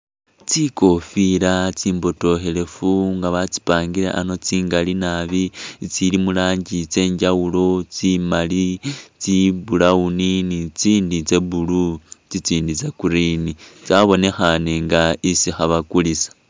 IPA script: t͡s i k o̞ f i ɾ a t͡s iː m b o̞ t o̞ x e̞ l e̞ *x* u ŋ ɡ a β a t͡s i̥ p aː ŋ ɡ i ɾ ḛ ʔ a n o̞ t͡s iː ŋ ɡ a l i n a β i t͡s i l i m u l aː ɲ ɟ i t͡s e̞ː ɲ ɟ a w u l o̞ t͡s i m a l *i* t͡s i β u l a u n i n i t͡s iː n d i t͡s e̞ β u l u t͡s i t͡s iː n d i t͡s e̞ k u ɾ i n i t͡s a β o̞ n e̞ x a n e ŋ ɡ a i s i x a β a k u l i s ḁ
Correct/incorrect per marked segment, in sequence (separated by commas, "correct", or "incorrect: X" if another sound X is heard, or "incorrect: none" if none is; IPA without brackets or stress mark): incorrect: f, correct